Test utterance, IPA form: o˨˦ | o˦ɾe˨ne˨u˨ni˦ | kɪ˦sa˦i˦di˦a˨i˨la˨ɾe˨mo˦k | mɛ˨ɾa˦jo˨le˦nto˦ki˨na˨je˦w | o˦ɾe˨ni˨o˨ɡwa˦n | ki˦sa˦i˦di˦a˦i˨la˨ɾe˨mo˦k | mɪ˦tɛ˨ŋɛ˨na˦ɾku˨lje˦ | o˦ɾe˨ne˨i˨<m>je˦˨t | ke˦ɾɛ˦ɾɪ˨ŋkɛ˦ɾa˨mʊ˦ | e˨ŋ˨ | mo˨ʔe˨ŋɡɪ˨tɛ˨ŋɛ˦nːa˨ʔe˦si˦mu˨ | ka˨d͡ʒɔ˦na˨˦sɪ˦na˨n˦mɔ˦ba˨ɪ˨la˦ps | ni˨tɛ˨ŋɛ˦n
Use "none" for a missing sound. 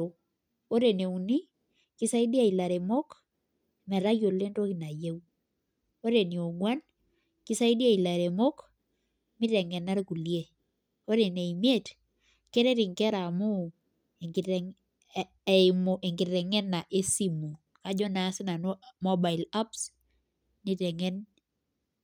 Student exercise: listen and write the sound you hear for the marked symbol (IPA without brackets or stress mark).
m